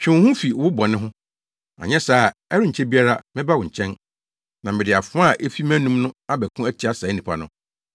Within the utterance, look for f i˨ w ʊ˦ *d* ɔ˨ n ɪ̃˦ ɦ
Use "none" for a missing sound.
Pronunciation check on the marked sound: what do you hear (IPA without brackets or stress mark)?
b